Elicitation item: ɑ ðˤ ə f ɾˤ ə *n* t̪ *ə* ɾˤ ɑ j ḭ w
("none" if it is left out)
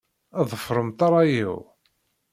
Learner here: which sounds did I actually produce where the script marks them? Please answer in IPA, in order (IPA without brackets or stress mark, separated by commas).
m, ɑ